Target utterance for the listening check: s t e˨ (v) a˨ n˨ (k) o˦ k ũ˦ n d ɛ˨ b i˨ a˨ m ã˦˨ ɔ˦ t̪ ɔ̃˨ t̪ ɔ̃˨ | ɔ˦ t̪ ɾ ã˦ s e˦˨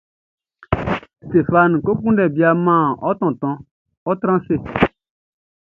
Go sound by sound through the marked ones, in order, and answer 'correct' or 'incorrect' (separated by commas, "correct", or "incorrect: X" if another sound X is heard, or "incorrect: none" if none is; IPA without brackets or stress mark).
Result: incorrect: f, correct